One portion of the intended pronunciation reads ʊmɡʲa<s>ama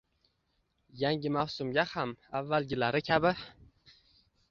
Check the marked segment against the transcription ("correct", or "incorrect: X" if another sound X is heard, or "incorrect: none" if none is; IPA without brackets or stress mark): incorrect: h